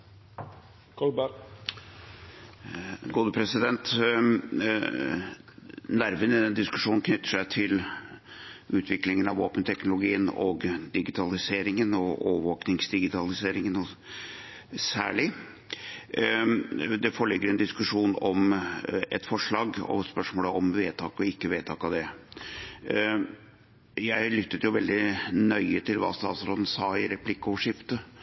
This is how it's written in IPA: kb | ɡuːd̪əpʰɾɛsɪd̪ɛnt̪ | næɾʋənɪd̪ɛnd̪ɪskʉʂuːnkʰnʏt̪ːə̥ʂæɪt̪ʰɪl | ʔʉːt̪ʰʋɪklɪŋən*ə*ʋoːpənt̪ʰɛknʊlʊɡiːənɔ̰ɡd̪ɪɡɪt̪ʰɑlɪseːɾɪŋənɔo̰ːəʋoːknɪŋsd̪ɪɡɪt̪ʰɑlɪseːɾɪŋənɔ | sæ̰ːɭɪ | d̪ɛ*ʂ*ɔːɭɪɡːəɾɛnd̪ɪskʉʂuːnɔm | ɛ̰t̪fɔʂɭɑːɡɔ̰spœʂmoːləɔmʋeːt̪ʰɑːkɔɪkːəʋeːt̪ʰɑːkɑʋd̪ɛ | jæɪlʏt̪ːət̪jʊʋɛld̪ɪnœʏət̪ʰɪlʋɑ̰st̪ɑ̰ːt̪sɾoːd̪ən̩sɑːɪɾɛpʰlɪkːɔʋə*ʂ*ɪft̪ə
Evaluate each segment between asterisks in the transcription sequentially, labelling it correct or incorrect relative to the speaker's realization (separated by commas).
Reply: incorrect, incorrect, correct